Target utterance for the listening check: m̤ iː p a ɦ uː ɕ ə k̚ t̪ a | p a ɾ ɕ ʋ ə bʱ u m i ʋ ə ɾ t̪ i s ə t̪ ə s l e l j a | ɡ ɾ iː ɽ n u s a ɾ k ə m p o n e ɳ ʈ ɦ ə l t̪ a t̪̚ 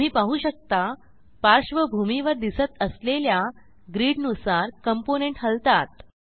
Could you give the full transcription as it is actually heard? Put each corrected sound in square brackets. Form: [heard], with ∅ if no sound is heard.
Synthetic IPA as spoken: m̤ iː p a ɦ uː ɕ ə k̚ t̪ a | p a ɾ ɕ ʋ ə bʱ u m i ʋ ə ɾ [d̪] i s ə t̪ ə s l e l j a | ɡ ɾ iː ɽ n u s a ɾ k ə m p o n e ɳ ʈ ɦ ə l t̪ a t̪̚